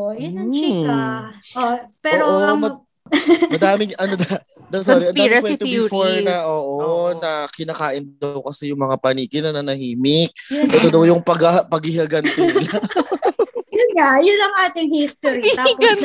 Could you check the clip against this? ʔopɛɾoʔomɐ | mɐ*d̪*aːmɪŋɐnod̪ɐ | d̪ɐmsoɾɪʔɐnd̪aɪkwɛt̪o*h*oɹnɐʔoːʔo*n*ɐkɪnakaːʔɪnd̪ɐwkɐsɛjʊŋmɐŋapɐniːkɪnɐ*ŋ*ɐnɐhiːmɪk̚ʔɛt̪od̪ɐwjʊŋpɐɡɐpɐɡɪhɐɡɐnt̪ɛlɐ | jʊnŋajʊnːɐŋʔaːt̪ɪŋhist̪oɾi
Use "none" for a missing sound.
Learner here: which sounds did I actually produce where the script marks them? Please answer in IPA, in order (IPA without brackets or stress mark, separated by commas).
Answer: d̪, f, n, n